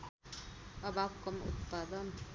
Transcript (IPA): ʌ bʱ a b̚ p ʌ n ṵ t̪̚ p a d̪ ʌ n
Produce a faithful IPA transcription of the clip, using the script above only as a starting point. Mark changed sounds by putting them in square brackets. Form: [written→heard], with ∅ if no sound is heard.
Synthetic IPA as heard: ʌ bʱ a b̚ [p→k] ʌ [n→m] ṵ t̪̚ p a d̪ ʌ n